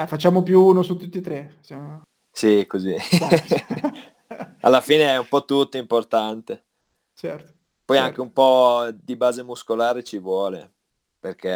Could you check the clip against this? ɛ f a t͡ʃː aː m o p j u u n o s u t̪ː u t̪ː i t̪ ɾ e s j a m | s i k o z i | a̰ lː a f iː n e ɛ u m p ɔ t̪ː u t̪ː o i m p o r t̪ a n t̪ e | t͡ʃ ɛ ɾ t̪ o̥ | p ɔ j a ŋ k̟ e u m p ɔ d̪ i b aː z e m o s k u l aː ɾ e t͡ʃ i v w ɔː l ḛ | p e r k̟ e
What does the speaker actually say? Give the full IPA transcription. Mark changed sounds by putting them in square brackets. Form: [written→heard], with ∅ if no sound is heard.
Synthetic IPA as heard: ɛ f a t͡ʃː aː m o p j u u n o s u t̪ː u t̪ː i t̪ ɾ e s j a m | s i k o z i | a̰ lː a f iː n e ɛ u m p ɔ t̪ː u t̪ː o i m p o r t̪ a n t̪ e | t͡ʃ ɛ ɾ t̪ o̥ | p ɔ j a ŋ k̟ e u m p ɔ d̪ i b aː z e m [o→u] s k [u→o] l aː ɾ e t͡ʃ i v w ɔː l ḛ | p e r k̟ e